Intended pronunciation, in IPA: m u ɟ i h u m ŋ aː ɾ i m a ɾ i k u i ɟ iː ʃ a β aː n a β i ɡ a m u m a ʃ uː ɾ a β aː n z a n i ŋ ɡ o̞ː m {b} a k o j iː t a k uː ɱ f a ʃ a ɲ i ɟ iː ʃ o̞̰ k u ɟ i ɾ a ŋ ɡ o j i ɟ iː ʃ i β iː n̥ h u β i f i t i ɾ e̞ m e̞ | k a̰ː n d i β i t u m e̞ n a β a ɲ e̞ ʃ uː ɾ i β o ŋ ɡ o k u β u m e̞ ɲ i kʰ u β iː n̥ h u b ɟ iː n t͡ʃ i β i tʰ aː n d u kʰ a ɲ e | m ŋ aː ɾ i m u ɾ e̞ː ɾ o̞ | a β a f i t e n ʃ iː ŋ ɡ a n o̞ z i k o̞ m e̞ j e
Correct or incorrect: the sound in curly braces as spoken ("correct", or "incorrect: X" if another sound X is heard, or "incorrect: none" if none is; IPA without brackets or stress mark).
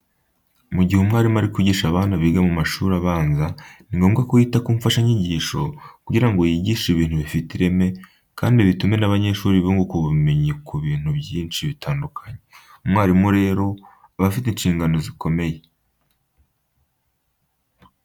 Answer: incorrect: ɡ